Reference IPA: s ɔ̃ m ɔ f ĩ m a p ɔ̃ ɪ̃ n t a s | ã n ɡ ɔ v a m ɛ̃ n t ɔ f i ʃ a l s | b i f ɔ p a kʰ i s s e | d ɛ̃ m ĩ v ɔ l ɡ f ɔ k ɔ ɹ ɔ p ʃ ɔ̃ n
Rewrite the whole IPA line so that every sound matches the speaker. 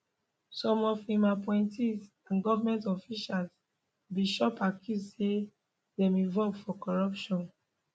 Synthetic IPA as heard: s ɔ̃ m ɔ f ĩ m a p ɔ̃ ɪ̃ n t i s | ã n ɡ ɔ v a m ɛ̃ n t ɔ f i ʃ a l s | b i ʃ ɔ p a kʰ i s s e | d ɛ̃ m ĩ v ɔ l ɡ f ɔ k ɔ ɹ ɔ p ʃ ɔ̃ n